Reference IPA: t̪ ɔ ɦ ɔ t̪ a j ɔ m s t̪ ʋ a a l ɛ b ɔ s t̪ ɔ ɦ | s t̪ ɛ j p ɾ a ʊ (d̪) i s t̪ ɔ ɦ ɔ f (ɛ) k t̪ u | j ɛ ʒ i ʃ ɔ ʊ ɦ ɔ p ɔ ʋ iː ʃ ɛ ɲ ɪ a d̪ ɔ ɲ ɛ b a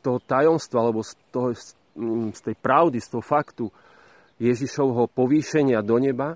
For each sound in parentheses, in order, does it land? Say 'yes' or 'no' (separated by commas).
yes, no